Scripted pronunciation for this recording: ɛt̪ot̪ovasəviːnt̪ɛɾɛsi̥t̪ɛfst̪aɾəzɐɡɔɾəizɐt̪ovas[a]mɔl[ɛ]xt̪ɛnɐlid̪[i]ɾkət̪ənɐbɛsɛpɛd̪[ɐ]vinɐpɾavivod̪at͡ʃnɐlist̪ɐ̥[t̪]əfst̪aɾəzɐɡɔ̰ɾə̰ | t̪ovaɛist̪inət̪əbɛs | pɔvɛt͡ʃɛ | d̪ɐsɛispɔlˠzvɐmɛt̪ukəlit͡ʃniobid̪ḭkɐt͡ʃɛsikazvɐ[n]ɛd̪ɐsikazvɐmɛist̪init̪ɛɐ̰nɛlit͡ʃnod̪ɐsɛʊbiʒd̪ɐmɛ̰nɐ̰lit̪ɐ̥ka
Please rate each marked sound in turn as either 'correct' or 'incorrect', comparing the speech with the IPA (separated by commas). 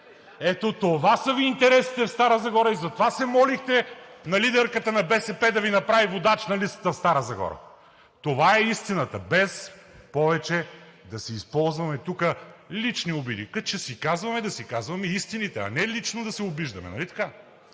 incorrect, incorrect, incorrect, correct, correct, incorrect